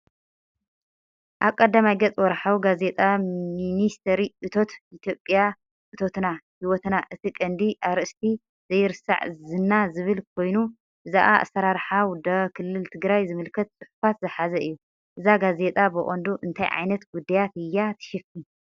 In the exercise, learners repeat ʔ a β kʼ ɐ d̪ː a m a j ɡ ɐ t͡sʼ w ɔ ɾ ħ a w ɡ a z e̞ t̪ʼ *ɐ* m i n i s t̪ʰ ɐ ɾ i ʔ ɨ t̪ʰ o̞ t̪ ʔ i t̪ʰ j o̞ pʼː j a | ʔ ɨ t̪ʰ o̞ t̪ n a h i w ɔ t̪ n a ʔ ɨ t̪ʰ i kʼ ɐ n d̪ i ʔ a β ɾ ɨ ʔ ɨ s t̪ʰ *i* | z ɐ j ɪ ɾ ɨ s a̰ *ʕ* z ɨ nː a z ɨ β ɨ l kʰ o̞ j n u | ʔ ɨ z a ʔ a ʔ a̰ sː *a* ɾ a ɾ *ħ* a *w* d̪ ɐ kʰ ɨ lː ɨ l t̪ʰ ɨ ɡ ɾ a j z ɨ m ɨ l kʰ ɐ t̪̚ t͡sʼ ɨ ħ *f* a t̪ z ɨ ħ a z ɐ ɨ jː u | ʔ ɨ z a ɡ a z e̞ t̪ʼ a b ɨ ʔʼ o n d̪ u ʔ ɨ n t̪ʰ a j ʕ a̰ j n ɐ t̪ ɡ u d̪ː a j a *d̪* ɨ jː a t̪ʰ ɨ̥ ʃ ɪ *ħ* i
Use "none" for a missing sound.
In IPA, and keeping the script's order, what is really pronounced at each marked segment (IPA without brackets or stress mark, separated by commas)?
a, i, ʕ, ɐ, ħ, w, f, t̪, f